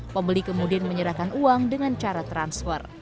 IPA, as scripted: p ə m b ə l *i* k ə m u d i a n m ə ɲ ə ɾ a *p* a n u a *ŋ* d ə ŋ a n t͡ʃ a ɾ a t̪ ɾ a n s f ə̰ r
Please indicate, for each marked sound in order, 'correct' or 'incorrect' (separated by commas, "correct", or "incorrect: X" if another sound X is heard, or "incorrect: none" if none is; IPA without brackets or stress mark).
correct, incorrect: k, correct